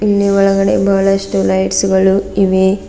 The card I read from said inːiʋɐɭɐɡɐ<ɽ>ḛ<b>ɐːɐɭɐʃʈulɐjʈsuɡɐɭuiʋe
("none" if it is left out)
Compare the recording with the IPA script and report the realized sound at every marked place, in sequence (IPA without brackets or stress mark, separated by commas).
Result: ɽ, b